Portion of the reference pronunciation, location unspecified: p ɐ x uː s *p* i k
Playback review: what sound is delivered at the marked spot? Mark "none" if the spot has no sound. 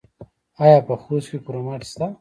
k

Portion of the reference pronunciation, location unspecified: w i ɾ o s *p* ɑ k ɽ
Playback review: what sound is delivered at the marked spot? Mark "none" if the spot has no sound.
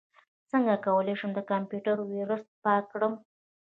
p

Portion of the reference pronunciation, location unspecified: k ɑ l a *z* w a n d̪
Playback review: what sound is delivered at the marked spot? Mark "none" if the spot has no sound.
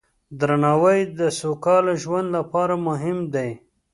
ʒ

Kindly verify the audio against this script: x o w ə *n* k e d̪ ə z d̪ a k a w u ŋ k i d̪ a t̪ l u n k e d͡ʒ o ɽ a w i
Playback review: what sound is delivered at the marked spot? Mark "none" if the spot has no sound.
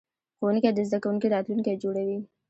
n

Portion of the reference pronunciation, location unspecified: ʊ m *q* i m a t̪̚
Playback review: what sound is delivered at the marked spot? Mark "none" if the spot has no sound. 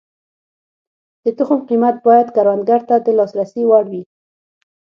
q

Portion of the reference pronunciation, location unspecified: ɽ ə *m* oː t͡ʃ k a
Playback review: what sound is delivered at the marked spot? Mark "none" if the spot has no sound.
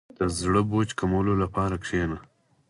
b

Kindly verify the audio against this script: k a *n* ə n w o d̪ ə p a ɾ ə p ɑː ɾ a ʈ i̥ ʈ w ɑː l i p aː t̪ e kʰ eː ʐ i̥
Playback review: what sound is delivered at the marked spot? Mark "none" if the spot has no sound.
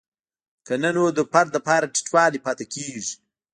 n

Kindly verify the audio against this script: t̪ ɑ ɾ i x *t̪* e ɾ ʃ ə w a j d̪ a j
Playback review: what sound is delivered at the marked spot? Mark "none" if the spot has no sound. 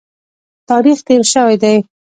t̪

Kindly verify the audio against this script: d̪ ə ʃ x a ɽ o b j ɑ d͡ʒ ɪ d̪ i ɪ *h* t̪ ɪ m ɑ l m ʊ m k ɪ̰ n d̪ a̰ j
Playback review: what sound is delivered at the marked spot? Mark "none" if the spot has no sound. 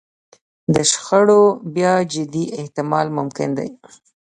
h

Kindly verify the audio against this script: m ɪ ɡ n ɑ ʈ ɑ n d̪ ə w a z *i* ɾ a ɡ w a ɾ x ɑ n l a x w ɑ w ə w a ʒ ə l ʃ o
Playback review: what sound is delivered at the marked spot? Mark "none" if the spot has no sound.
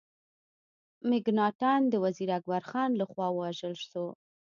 i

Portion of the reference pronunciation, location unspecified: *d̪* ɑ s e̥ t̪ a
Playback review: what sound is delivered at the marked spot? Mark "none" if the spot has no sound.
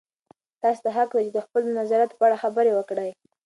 t̪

